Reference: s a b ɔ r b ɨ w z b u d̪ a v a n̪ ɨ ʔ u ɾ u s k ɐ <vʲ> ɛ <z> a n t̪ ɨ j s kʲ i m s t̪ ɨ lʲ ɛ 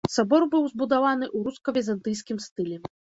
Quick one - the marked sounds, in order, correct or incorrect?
correct, correct

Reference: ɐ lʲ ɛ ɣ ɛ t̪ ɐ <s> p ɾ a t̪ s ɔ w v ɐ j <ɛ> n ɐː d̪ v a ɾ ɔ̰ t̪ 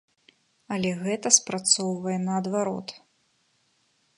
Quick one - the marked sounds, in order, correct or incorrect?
correct, correct

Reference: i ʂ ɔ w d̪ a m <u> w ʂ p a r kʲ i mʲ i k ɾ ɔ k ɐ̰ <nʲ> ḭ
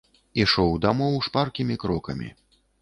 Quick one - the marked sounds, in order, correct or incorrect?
incorrect: ɔ, incorrect: mʲ

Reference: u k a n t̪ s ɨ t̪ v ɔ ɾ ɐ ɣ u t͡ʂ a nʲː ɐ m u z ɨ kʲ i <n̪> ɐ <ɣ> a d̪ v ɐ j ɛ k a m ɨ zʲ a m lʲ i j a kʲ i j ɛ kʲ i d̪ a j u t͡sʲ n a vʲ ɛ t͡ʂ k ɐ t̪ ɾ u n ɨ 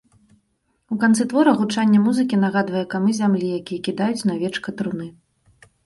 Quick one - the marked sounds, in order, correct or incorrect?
correct, correct

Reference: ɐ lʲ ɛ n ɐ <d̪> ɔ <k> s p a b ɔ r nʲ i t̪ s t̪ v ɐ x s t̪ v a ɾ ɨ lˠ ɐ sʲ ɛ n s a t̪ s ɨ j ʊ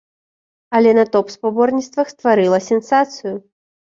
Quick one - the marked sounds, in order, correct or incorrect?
incorrect: t̪, incorrect: p

